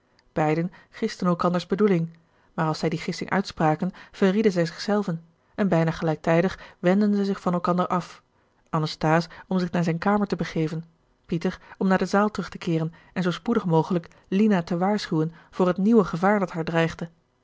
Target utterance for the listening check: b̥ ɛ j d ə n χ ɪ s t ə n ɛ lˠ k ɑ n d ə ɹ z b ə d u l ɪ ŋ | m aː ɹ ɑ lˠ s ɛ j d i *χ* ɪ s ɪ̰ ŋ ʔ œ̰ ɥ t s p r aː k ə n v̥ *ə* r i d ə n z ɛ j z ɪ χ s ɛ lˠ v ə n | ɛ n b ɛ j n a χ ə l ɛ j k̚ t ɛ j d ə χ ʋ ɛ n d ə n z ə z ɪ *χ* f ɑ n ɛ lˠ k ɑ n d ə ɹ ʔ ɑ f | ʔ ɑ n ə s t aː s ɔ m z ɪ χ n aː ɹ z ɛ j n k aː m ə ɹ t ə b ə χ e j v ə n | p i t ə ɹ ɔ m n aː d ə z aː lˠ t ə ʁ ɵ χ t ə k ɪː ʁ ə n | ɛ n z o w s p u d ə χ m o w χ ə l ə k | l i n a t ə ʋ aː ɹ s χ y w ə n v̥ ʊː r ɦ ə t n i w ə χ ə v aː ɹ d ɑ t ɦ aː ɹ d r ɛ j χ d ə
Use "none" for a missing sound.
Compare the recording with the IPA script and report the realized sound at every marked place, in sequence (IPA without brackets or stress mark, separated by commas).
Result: χ, ə, χ